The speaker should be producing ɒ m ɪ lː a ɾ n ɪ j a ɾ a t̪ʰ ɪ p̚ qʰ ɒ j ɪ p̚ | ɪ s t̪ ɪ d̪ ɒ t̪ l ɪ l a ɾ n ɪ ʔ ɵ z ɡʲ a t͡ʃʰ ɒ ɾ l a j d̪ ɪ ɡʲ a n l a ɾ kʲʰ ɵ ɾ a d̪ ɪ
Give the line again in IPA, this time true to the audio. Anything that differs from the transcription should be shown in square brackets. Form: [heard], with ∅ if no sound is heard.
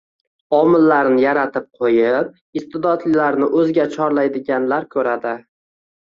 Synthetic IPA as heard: ɒ m ɪ lː a ɾ n ɪ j a ɾ a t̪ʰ ɪ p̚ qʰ [o] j ɪ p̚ | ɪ s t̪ ɪ d̪ ɒ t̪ l ɪ l a ɾ n ɪ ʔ ɵ z ɡʲ a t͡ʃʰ ɒ ɾ l a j d̪ ɪ ɡʲ a n l a ɾ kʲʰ ɵ ɾ a d̪ ɪ

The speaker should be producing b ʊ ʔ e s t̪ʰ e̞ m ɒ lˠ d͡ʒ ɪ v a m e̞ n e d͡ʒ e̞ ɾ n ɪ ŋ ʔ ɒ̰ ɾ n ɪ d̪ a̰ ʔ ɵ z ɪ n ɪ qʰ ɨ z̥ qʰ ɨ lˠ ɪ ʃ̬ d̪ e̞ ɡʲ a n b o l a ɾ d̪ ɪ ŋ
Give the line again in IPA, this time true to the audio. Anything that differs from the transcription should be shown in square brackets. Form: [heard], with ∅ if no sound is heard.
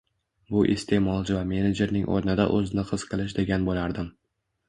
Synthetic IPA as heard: b ʊ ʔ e s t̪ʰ e̞ m ɒ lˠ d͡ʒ ɪ v a m e̞ n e d͡ʒ e̞ ɾ n ɪ ŋ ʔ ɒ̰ ɾ n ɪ d̪ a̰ ʔ ɵ z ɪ n ɪ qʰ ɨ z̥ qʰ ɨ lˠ ɪ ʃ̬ d̪ e̞ ɡʲ a n b o l a ɾ d̪ ɪ [m]

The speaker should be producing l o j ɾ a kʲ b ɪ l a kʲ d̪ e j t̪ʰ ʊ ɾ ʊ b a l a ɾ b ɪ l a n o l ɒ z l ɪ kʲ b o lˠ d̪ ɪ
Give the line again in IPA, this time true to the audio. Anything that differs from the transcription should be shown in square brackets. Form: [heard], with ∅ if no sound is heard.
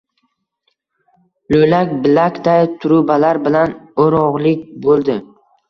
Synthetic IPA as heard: l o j [l] a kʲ b ɪ l a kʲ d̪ [a] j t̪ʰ ʊ ɾ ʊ b a l a ɾ b ɪ l a n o [ɾ] ɒ [ʁ] l ɪ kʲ b o lˠ d̪ ɪ

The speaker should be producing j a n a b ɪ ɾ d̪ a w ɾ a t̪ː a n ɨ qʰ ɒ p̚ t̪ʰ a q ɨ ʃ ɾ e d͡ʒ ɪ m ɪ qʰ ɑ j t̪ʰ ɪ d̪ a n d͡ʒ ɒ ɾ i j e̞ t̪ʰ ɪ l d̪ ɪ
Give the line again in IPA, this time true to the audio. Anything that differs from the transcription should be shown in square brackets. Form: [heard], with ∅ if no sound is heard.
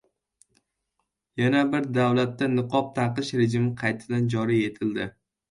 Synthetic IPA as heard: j a n a b ɪ ɾ d̪ a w [l] a t̪ː a n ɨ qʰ ɒ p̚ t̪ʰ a q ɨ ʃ ɾ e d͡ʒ ɪ m ɪ qʰ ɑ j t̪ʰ ɪ d̪ a n d͡ʒ ɒ ɾ i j e̞ t̪ʰ ɪ l d̪ ɪ

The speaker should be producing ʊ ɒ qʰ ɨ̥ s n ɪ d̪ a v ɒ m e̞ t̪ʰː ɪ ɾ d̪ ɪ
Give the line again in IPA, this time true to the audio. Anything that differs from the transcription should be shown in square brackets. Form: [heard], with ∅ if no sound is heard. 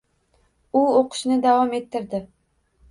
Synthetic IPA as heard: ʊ [o] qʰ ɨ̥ [ʃ] n ɪ d̪ a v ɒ m e̞ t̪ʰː ɪ ɾ d̪ ɪ

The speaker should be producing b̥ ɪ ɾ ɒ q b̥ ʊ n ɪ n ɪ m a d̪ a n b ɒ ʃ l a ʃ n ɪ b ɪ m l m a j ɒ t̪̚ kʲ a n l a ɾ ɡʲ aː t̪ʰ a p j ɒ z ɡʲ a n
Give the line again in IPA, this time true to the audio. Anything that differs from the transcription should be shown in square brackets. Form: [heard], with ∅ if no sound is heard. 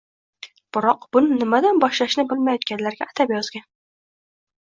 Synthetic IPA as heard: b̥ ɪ ɾ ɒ q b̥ ʊ n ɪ n ɪ m a d̪ a n b ɒ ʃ l a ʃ n ɪ b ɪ [∅] l m a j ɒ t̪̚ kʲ a n l a ɾ ɡʲ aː t̪ʰ a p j ɒ z ɡʲ a n

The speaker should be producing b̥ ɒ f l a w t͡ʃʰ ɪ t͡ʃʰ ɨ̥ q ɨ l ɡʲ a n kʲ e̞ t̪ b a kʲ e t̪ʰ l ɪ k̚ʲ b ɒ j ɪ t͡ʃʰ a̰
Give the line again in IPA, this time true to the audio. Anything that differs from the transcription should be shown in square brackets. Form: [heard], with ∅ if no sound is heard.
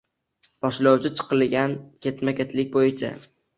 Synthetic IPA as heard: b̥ ɒ [ʃ] l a w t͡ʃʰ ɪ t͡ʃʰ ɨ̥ q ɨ l ɡʲ a n kʲ e̞ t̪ [m] a kʲ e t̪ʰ l ɪ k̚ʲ b [o] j ɪ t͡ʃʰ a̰

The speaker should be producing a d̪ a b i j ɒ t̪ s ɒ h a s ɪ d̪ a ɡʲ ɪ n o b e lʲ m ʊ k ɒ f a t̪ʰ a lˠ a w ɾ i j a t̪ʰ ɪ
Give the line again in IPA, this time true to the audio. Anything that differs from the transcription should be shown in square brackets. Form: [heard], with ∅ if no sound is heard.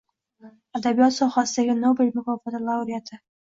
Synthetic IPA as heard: a d̪ a b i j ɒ t̪ s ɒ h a s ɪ d̪ a ɡʲ ɪ n o b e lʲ m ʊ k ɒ f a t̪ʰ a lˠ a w ɾ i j a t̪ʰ ɪ

